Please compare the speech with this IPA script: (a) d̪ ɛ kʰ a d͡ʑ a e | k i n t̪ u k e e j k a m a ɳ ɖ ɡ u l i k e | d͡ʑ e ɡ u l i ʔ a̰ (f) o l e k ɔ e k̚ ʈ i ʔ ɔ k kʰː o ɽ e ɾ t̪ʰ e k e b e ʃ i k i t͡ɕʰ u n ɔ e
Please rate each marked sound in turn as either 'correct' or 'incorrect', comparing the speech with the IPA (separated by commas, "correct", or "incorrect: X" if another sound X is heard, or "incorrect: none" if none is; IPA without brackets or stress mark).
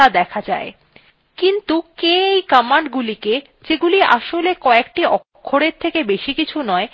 correct, incorrect: ʃ